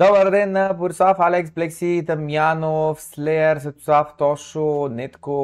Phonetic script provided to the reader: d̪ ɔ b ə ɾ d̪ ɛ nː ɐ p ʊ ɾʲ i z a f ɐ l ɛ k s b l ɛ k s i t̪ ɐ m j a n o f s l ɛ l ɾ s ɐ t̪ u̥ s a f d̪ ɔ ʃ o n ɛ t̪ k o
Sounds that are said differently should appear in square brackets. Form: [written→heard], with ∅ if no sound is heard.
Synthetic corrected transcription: d̪ ɔ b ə ɾ d̪ ɛ nː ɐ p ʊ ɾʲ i [z→s] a f [ɐ→a] l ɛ k s b l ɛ k s i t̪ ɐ m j a n o f s l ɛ [l→∅] ɾ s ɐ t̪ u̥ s a f [d̪→t̪] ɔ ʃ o n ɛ t̪ k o